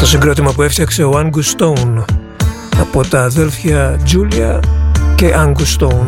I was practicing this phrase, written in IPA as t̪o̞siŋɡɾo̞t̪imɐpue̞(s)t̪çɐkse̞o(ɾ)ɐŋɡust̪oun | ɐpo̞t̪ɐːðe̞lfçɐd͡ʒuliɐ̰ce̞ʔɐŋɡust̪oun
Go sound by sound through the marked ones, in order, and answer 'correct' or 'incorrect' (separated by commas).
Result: incorrect, incorrect